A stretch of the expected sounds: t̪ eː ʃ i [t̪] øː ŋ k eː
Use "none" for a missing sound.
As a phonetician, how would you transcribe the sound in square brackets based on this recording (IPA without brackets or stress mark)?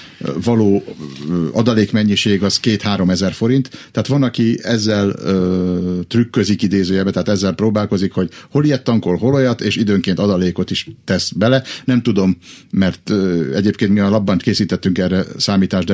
d̪